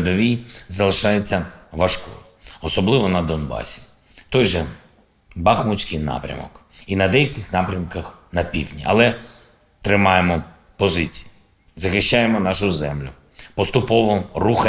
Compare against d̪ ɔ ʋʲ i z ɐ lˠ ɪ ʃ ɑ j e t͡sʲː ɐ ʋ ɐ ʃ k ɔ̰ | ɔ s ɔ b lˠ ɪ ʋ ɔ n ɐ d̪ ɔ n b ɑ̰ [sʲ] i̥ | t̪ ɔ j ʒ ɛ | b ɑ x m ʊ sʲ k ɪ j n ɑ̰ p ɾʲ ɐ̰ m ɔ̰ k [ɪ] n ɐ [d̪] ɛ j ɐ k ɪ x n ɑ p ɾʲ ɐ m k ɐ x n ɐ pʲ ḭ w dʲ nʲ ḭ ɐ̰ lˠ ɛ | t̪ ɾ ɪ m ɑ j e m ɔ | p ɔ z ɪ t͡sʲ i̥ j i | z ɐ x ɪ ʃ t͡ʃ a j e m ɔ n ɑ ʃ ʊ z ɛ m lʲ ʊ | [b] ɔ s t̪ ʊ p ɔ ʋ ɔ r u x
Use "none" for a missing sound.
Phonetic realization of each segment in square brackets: sʲ, i, d̪, p

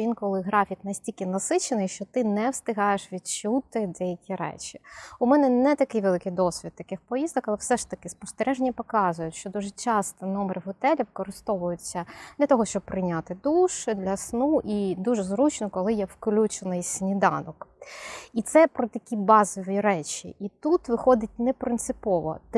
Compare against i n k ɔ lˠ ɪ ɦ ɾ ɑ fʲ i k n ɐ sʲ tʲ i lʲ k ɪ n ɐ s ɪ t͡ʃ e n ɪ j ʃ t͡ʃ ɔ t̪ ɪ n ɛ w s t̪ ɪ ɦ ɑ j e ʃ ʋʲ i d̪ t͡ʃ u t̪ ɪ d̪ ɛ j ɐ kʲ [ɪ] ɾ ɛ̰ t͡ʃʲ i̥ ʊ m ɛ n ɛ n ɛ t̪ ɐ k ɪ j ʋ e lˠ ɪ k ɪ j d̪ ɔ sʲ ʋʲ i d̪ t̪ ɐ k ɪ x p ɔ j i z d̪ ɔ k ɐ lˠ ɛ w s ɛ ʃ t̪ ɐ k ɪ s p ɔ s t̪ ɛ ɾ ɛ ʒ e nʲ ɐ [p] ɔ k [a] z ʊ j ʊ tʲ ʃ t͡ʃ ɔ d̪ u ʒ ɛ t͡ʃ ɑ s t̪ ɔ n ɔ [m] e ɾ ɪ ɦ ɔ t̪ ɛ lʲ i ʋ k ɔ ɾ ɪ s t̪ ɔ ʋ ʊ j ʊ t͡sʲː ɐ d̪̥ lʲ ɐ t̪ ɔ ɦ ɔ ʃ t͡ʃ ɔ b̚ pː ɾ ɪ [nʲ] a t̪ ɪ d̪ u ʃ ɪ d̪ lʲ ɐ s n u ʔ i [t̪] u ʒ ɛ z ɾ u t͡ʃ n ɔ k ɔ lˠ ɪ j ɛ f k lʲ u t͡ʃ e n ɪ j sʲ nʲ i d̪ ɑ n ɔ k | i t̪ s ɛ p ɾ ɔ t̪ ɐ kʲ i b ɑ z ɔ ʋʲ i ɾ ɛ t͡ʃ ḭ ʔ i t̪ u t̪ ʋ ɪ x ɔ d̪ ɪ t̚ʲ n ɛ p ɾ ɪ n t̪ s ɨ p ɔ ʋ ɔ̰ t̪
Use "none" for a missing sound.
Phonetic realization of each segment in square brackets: i, p, ɑ, m, nʲ, d̪

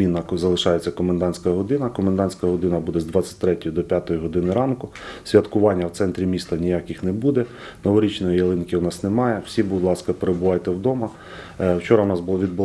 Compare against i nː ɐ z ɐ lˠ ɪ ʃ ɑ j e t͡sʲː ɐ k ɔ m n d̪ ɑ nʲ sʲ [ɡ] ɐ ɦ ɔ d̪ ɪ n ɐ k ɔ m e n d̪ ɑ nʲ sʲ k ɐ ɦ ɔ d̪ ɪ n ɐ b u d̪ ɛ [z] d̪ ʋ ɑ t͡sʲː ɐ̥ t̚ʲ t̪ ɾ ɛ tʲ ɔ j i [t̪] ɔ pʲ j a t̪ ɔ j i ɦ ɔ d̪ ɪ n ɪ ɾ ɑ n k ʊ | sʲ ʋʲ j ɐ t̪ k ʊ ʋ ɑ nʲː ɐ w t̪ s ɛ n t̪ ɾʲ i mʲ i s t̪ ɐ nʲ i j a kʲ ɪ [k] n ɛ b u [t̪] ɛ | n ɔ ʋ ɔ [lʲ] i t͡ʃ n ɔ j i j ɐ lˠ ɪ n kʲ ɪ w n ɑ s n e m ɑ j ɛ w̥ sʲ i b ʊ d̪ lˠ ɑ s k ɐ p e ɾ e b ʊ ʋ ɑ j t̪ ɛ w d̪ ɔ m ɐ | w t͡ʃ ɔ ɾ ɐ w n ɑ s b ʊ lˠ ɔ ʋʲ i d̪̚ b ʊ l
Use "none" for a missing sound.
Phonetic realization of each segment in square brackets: k, z, d̪, x, d̪, ɾʲ

